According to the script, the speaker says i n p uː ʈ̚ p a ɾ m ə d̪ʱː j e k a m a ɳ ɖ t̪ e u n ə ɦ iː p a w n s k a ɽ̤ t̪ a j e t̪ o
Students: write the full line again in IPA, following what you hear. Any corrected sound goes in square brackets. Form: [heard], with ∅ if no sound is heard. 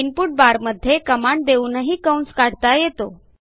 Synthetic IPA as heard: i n p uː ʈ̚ [b] a ɾ m ə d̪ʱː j e k [ə] m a ɳ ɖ [d̪] e u n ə ɦ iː [k] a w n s k a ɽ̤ t̪ a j e t̪ o